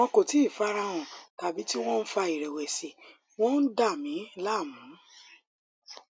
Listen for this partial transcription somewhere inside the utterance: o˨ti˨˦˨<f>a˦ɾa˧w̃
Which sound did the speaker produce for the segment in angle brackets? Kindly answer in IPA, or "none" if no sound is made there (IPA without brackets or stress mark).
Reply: f